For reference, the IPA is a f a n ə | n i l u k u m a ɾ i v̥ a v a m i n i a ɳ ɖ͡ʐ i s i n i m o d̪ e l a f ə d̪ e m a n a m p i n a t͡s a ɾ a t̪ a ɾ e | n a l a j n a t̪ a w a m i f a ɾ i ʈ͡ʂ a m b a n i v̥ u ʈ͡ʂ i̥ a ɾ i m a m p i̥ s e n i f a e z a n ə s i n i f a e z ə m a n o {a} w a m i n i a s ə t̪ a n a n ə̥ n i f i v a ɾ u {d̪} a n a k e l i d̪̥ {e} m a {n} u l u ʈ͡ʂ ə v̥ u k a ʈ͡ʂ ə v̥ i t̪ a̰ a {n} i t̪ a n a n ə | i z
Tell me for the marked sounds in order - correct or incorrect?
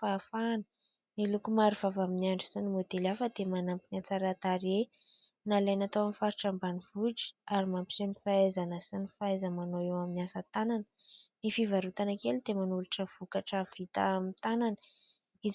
incorrect, incorrect, correct, correct, incorrect

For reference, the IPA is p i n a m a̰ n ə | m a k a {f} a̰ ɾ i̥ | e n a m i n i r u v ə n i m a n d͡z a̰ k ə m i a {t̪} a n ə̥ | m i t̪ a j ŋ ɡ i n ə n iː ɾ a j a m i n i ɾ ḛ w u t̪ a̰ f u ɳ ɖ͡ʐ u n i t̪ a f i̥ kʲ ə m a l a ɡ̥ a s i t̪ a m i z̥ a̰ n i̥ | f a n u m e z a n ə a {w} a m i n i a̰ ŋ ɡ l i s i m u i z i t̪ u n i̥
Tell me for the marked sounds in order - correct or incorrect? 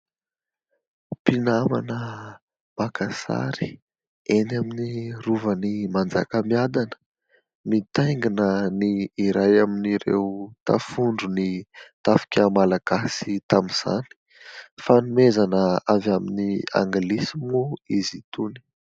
incorrect, incorrect, incorrect

